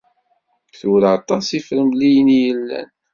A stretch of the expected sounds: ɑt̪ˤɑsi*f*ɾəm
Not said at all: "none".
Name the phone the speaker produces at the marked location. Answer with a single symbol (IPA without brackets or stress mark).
f